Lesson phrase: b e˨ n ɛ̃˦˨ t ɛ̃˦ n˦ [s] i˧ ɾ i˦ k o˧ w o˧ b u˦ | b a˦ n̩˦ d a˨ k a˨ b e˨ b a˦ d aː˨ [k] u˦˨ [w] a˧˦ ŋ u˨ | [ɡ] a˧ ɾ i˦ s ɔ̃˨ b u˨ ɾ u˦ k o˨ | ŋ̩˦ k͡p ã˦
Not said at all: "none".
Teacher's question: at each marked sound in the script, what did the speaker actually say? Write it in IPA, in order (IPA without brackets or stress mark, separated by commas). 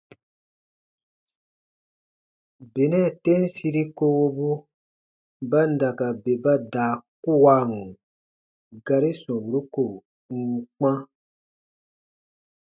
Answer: s, k, w, ɡ